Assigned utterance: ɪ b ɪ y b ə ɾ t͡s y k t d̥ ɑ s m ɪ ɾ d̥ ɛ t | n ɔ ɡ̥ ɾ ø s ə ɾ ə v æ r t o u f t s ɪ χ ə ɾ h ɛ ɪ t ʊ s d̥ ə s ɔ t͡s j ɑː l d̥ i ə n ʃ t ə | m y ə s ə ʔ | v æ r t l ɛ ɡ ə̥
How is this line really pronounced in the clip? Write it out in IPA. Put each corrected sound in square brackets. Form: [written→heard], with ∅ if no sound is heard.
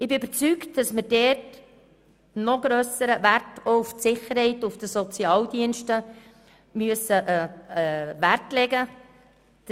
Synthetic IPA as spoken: ɪ b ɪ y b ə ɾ t͡s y k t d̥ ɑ s m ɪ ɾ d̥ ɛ t | n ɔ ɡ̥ ɾ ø s ə ɾ ə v æ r t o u f t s ɪ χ ə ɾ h ɛ ɪ t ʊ [s→f] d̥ ə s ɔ t͡s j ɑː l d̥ i ə n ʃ t ə | m y ə s ə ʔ | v æ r t l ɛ ɡ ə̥